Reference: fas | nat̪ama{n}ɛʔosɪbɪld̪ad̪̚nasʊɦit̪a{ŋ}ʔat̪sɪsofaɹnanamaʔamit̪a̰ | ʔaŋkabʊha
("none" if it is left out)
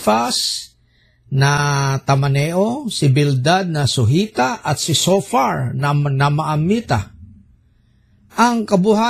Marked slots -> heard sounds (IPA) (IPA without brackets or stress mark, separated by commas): n, none